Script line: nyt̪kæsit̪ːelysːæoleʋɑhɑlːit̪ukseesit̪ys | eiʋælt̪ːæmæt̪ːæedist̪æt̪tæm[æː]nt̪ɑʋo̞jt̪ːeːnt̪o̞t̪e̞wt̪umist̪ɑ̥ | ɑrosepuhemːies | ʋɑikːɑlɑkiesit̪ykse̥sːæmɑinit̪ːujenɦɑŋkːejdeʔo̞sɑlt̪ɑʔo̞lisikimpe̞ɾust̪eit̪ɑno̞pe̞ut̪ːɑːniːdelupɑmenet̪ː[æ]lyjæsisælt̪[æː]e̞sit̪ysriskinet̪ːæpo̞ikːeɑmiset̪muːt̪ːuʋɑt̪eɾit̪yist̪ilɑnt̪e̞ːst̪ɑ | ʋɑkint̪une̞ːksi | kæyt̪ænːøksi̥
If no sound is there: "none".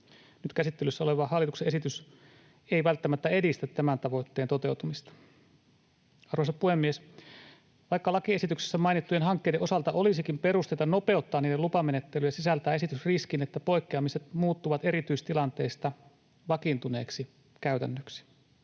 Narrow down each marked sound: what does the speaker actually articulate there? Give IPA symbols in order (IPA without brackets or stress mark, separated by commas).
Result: æ, e, æː